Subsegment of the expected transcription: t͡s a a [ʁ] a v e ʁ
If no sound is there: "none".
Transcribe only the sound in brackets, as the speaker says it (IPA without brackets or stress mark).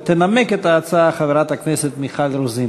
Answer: χ